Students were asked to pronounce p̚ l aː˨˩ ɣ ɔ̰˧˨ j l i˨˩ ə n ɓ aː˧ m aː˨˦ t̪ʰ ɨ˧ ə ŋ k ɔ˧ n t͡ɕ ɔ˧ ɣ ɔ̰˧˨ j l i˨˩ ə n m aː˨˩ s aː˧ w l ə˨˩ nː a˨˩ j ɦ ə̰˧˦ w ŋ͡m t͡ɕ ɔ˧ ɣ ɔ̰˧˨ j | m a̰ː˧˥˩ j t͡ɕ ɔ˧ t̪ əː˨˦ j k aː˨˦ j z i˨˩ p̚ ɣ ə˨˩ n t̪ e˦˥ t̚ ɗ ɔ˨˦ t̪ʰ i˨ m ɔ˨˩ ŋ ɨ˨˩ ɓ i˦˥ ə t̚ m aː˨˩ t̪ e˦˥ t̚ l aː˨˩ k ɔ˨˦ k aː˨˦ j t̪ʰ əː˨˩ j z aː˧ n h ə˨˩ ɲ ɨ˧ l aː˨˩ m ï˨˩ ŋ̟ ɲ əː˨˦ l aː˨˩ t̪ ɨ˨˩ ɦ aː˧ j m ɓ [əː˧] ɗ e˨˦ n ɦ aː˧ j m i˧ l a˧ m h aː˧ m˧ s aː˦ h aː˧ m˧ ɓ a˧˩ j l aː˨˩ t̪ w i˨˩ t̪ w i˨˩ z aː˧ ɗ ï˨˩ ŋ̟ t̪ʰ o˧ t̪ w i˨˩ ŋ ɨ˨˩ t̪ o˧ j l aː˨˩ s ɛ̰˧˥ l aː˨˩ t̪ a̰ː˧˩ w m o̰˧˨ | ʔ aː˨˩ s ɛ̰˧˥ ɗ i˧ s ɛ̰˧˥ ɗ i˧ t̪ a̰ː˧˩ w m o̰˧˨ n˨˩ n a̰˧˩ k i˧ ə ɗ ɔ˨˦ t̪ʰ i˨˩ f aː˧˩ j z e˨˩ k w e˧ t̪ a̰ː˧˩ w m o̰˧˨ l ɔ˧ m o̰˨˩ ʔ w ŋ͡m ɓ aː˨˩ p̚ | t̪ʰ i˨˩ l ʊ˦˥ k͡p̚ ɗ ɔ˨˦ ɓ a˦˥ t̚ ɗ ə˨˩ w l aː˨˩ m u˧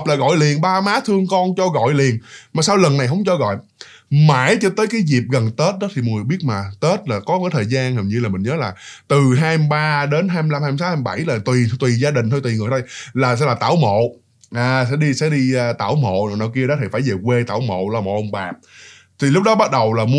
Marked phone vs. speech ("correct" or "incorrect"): incorrect